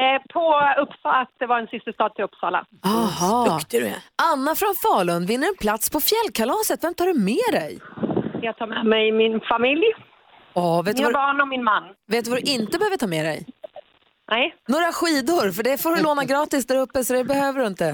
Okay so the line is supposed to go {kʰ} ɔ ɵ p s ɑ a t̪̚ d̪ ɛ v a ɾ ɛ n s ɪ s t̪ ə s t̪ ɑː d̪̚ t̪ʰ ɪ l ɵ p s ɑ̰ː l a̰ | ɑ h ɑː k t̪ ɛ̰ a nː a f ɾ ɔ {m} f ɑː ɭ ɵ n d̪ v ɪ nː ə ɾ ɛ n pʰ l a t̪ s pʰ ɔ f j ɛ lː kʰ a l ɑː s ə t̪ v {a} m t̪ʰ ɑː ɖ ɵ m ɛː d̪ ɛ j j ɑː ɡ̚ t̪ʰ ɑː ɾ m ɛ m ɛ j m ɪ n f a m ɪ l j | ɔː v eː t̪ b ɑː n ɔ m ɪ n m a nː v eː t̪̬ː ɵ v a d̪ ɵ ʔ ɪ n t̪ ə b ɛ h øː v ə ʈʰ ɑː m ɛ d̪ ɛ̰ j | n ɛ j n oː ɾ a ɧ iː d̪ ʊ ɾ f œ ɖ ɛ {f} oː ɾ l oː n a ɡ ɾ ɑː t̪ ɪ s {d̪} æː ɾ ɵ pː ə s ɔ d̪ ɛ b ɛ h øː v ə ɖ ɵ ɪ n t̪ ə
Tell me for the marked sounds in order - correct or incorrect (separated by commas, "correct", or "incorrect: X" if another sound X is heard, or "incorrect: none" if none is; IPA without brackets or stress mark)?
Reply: incorrect: pʰ, incorrect: n, incorrect: ɛ, correct, correct